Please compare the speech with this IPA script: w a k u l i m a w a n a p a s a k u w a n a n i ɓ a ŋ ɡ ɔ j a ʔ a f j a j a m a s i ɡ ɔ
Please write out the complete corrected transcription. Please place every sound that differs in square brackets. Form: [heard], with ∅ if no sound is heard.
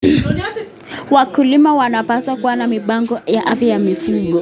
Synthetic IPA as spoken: w a k u l i m a w a n a p a s a k u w a n a [m] i ɓ a ŋ ɡ ɔ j a ʔ a f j a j a m [i] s i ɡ ɔ